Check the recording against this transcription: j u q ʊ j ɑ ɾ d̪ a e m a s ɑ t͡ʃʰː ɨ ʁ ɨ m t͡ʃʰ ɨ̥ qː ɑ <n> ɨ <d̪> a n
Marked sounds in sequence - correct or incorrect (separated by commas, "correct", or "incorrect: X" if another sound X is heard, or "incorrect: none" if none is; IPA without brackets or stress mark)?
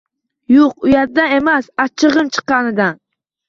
correct, correct